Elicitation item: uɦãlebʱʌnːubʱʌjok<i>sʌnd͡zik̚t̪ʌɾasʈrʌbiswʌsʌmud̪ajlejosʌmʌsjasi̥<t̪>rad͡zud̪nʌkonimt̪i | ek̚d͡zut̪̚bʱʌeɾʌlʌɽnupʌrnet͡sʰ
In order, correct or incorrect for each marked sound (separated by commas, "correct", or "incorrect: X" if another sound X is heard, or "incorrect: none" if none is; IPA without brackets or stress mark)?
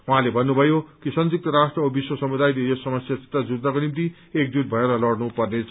correct, correct